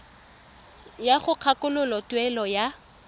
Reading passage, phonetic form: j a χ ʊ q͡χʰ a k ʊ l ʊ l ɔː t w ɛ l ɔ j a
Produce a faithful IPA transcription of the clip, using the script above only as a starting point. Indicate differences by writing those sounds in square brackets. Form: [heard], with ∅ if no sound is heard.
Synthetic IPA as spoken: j a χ ʊ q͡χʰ a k ʊ l ʊ l [ɔ] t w ɛ l ɔ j a